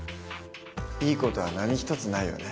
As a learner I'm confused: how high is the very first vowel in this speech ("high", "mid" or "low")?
high